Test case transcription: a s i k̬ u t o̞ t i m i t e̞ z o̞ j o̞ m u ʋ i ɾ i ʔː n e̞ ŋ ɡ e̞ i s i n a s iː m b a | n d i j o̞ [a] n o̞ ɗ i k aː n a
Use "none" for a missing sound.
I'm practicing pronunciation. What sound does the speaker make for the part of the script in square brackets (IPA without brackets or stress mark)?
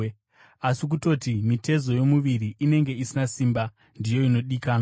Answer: i